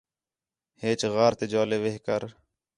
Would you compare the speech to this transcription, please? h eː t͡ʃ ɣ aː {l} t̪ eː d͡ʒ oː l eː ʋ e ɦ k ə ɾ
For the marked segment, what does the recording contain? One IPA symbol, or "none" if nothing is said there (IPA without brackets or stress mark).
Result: ɾ